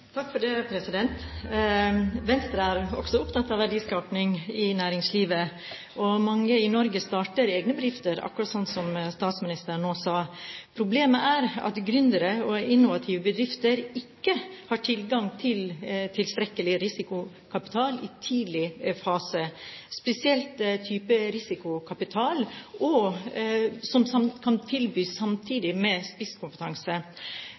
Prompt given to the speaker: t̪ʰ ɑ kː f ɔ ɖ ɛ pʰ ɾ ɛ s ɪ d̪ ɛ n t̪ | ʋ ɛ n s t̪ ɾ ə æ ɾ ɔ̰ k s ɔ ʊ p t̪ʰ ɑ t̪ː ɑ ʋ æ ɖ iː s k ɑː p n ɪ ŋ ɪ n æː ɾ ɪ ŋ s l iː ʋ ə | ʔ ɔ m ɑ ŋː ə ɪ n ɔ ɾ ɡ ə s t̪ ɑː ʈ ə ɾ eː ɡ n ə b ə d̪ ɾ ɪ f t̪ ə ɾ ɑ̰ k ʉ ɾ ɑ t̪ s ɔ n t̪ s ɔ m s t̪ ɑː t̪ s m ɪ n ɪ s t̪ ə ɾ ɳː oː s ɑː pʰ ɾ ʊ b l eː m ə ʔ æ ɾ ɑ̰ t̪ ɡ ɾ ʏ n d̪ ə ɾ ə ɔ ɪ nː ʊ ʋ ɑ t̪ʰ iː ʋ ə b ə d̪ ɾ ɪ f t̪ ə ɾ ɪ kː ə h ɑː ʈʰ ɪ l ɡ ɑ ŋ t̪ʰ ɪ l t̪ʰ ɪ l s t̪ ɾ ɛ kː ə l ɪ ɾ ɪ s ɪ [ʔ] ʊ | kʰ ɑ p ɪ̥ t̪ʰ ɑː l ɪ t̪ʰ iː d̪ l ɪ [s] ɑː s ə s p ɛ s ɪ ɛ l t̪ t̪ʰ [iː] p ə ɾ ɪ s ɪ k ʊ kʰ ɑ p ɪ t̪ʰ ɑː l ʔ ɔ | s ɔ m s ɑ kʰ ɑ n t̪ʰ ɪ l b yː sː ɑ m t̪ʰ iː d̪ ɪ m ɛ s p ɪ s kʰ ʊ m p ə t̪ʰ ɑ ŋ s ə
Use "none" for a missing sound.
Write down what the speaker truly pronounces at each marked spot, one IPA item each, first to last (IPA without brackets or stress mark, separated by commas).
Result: k, f, yː